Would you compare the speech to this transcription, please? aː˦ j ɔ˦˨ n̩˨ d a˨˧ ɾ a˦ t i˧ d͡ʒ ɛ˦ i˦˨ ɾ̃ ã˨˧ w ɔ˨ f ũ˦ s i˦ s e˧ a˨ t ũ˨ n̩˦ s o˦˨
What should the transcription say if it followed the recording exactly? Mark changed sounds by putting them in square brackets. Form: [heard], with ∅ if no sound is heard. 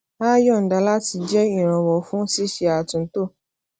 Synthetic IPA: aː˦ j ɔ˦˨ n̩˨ d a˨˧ [l] a˦ t i˧ d͡ʒ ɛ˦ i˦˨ ɾ̃ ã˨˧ w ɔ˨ f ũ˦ s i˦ [ʃ] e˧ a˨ t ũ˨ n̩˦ [t] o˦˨